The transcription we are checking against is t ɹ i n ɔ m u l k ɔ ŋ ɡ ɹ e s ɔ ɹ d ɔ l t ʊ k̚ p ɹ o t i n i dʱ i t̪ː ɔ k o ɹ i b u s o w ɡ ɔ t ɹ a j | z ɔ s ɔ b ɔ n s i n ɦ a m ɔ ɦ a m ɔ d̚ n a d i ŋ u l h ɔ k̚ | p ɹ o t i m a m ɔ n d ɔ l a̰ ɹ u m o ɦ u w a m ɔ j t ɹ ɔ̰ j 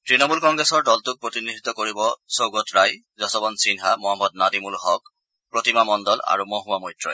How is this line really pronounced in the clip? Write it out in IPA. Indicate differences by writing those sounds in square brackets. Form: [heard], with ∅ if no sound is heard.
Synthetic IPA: t ɹ i n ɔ m u l k ɔ ŋ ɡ ɹ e s ɔ ɹ d ɔ l t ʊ k̚ p ɹ o t i n i dʱ i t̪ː ɔ k o ɹ i b [ɔ] s o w ɡ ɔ t ɹ a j | z ɔ s ɔ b ɔ n s i n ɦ a m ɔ ɦ a m ɔ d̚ n a d i [m] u l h ɔ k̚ | p ɹ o t i m a m ɔ n d ɔ l a̰ ɹ u m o ɦ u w a m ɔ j t ɹ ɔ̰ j